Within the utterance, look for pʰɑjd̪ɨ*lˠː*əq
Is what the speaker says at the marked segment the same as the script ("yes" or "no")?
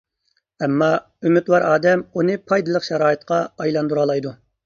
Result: no